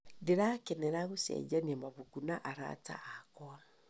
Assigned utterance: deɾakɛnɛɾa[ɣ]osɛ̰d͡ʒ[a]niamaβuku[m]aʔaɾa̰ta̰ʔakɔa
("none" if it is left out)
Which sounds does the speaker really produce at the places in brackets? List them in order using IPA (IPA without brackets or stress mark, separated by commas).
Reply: ɣ, a, n